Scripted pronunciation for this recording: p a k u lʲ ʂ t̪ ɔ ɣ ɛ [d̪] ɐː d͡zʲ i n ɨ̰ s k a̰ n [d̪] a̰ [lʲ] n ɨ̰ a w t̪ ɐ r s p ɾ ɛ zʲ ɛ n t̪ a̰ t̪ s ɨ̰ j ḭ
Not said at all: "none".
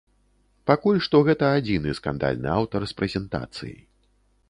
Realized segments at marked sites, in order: t̪, d̪, lʲ

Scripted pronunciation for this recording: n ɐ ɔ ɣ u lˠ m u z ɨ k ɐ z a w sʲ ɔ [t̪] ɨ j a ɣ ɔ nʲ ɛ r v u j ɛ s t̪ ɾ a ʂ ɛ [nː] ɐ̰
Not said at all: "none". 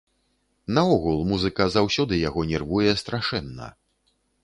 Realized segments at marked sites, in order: d̪, nː

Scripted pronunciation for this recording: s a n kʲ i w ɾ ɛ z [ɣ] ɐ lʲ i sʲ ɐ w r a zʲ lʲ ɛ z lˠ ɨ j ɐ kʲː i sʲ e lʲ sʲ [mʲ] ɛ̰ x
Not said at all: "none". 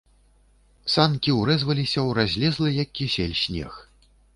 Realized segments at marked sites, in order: v, nʲ

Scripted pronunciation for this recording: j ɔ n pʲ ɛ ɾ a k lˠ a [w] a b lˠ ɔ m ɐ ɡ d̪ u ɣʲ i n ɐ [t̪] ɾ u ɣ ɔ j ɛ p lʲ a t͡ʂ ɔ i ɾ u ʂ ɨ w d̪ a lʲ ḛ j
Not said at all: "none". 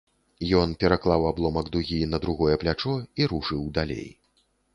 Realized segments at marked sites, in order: w, d̪

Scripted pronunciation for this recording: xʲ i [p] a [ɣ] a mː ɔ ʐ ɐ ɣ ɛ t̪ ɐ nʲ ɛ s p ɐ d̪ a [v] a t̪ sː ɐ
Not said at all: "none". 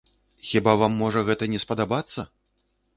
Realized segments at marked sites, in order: b, v, b

